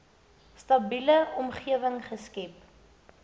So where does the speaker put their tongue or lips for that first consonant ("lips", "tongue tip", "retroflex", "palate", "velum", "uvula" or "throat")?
tongue tip